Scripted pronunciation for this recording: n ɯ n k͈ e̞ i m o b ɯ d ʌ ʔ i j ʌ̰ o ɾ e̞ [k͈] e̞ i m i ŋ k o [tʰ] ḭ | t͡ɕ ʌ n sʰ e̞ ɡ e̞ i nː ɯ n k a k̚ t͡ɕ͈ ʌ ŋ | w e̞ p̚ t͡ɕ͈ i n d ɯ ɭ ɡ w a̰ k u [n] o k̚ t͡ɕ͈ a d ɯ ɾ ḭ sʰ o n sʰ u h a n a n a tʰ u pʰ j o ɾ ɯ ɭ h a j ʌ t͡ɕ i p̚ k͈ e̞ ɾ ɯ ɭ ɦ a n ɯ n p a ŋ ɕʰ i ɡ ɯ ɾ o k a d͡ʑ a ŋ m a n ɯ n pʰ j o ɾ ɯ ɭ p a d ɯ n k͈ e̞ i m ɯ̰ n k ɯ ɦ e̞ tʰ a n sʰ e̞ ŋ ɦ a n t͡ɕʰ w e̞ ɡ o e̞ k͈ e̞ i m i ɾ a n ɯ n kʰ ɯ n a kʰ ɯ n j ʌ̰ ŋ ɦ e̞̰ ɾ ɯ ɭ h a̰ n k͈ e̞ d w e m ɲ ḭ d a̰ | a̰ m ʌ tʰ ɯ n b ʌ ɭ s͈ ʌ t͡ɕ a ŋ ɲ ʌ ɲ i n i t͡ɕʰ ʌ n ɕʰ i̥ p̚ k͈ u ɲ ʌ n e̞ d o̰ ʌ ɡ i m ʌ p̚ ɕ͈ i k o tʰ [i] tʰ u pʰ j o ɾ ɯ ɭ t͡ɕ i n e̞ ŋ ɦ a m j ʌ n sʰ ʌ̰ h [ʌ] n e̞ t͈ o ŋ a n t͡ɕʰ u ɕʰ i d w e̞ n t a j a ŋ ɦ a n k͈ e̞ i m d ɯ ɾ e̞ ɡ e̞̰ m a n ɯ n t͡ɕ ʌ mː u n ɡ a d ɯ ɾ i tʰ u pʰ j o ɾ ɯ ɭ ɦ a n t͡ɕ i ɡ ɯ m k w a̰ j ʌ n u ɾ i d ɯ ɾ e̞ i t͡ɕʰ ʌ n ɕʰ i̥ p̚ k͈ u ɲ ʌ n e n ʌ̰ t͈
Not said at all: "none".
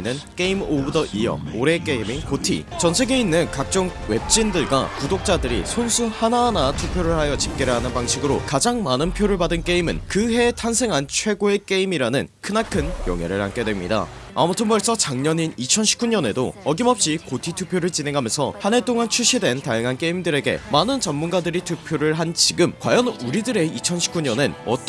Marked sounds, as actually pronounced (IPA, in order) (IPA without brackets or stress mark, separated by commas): k͈, tʰ, d, i, a